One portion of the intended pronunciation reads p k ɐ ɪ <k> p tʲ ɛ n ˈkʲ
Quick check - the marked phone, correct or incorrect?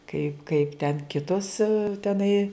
incorrect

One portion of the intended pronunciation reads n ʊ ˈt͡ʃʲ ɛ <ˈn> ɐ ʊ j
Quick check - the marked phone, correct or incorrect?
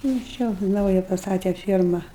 correct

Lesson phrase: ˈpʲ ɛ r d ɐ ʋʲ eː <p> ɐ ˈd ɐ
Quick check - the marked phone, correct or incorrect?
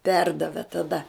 incorrect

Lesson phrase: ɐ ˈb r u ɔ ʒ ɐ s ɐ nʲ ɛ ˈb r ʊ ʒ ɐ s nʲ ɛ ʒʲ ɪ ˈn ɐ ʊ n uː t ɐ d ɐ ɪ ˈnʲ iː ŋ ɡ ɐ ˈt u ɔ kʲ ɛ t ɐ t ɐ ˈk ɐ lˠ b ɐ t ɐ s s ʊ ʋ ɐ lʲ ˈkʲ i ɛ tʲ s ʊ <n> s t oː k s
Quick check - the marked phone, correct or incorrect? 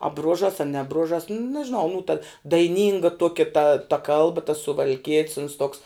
correct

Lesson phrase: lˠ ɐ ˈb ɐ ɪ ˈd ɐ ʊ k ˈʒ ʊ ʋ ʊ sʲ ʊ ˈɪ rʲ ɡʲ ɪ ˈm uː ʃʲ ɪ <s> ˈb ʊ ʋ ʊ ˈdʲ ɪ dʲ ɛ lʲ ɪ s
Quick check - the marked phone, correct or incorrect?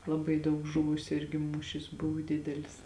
correct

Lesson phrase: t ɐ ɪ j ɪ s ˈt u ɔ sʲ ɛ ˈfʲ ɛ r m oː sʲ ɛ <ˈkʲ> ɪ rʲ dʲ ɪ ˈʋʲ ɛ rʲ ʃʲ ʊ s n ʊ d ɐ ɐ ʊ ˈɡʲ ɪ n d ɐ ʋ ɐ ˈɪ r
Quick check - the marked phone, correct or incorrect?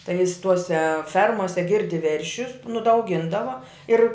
incorrect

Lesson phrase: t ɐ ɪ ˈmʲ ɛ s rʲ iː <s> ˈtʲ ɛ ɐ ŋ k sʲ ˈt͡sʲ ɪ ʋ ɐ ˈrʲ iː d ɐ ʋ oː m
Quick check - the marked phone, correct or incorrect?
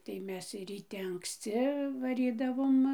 incorrect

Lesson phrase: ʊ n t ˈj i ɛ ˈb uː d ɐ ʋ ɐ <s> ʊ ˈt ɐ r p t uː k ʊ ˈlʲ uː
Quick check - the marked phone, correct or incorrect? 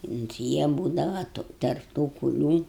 incorrect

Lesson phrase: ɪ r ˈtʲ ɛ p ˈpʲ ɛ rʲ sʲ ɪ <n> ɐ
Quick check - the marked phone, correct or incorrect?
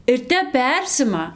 incorrect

